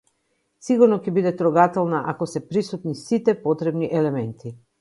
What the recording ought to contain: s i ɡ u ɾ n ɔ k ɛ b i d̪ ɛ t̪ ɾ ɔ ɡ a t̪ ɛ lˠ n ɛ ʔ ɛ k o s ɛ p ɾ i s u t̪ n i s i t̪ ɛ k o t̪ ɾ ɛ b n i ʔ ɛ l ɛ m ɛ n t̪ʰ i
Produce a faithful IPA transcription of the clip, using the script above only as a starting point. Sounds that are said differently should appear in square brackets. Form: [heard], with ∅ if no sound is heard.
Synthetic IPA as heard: s i ɡ u ɾ n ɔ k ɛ b i d̪ ɛ t̪ ɾ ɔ ɡ a t̪ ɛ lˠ n [a] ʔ [a] k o s ɛ p ɾ i s u t̪ n i s i t̪ ɛ [p] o t̪ ɾ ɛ b n i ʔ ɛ l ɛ m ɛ n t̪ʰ i